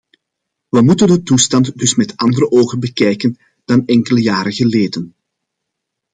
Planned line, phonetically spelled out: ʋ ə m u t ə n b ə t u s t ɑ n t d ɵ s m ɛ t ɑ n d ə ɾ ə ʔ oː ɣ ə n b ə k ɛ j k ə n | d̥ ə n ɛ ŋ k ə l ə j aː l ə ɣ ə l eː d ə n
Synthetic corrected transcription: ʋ ə m u t ə n d ə t u s t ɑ n t d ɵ s m ɛ t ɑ n d ə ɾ ə ʔ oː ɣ ə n b ə k ɛ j k ə n | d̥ ɑ n ɛ ŋ k ə l ə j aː ɾ ə ɣ ə l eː d ə n